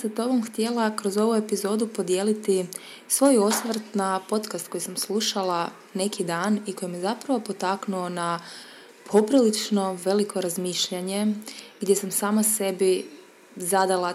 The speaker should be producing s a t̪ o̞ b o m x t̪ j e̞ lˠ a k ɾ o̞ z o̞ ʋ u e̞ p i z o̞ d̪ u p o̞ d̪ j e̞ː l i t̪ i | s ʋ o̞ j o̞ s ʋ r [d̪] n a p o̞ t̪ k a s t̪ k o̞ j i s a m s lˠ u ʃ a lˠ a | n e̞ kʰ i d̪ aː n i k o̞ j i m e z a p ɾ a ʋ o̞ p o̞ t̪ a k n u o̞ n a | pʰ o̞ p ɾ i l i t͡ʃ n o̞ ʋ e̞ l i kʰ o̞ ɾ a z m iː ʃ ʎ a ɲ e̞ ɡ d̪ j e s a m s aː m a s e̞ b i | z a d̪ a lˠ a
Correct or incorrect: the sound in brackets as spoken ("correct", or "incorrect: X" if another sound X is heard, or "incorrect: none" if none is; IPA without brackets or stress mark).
incorrect: t̪